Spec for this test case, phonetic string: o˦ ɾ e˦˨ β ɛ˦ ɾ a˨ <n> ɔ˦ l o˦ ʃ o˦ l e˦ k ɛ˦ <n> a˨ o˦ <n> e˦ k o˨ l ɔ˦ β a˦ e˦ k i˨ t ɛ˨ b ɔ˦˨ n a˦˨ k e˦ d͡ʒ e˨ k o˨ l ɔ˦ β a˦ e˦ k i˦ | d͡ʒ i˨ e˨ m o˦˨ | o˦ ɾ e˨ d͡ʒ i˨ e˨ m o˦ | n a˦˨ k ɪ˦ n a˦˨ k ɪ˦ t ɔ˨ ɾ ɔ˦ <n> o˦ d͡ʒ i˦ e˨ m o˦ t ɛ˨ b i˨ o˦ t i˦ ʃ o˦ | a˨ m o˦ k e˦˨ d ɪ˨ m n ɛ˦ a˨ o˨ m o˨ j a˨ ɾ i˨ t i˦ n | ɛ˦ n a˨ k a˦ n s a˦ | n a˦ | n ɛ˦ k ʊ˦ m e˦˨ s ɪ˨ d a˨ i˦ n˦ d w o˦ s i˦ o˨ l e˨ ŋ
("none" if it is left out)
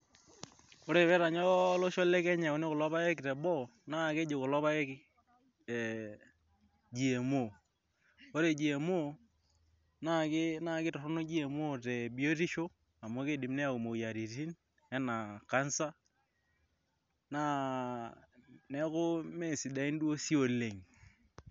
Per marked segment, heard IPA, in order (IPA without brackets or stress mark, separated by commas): ɲ, ɲ, n, n